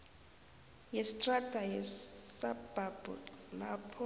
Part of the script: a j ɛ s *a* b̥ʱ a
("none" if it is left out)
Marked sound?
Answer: a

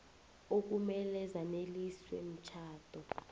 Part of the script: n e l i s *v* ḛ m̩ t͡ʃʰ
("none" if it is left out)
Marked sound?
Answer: w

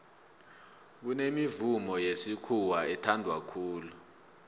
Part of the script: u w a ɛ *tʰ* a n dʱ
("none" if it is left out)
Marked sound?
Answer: tʰ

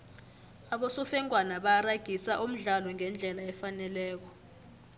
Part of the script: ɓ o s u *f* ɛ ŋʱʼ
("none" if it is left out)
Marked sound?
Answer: f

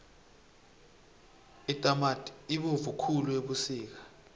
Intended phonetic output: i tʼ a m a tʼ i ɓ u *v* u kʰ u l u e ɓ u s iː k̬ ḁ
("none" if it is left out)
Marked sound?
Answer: v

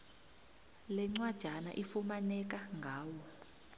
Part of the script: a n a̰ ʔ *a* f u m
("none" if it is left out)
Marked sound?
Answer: i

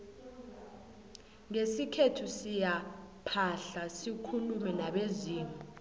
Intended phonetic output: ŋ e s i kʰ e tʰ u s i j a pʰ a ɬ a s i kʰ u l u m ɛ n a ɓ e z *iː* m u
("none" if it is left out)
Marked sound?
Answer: iː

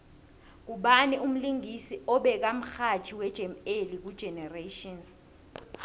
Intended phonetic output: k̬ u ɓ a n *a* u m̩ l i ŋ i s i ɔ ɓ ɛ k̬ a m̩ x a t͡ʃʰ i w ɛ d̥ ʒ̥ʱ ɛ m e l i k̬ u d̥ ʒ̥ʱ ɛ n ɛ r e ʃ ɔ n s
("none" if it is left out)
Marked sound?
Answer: i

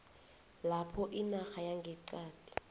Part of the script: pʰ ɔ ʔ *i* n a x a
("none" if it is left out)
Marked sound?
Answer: i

